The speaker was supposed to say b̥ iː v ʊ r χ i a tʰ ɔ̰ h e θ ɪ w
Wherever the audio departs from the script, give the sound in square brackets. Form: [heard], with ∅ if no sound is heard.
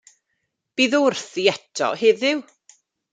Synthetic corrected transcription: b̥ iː [ð] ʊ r [θ] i [ɛ] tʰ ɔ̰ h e [ð] ɪ w